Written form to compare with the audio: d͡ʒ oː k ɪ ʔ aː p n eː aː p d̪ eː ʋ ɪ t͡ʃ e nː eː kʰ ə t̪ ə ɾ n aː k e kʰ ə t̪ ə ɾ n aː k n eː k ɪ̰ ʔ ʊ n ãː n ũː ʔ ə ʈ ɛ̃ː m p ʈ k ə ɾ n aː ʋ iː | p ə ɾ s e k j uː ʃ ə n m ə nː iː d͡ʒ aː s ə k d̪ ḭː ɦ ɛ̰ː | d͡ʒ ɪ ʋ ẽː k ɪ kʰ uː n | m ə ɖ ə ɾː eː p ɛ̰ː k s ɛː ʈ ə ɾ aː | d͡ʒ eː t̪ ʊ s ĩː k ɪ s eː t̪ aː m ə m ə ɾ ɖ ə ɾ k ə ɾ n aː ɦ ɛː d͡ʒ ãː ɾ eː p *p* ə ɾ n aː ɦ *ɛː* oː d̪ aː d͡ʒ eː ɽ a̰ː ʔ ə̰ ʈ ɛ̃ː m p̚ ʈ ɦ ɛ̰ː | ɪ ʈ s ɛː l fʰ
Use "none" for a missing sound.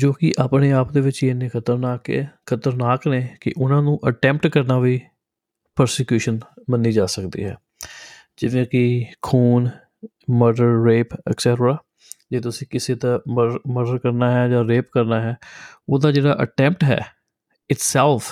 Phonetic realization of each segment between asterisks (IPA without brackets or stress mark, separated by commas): k, ɛː